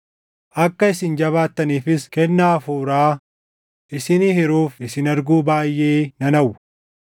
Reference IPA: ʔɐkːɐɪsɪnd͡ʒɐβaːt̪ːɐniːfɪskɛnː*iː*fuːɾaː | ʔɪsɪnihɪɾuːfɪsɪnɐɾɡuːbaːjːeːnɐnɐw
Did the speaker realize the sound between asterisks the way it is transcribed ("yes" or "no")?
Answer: no